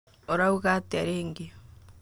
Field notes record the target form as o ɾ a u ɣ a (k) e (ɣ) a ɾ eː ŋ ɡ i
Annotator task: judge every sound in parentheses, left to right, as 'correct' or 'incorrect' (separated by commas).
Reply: incorrect, incorrect